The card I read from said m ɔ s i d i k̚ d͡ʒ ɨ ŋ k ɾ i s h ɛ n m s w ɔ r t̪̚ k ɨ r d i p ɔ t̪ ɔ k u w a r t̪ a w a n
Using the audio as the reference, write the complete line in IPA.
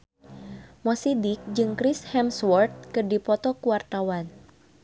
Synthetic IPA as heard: m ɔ s i d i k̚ d͡ʒ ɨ ŋ k ɾ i s h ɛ m s w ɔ r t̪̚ k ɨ r d i p ɔ t̪ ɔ k u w a r t̪ a w a n